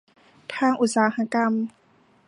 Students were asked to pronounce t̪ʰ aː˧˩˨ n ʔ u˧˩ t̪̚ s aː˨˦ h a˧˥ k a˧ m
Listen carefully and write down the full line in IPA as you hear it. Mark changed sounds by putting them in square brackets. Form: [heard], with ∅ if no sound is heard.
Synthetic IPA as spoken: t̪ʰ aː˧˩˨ [ŋ] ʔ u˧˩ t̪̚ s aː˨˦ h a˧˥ k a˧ m